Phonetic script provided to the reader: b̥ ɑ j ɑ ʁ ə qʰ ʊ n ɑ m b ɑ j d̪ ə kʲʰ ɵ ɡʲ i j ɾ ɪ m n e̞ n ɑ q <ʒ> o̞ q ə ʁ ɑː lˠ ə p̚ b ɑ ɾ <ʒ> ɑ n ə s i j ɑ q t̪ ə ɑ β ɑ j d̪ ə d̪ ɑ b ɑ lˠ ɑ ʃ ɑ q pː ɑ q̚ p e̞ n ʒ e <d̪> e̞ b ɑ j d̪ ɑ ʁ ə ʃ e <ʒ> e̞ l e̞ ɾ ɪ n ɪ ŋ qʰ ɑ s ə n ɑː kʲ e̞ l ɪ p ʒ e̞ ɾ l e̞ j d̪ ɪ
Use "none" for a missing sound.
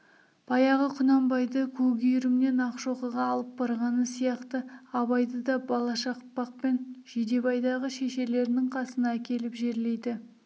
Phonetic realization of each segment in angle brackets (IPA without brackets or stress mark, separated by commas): ʃ, ʁ, d̪, ʃ